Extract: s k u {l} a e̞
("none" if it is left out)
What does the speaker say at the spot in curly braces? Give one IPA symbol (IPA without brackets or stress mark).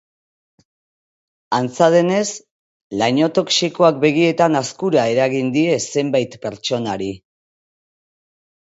ɾ